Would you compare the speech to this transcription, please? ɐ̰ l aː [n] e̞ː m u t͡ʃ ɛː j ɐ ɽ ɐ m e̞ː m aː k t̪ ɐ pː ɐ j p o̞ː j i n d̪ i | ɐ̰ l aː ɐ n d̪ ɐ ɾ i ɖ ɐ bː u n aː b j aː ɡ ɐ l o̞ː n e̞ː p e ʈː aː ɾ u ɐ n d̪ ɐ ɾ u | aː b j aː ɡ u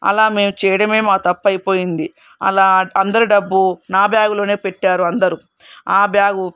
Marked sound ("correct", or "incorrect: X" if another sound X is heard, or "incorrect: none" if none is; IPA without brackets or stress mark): incorrect: m